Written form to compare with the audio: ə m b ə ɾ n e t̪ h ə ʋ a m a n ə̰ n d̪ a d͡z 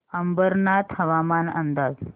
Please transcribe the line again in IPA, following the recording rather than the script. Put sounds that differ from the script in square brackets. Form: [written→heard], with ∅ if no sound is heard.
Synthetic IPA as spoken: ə m b ə ɾ n [e→a] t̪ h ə ʋ a m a n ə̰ n d̪ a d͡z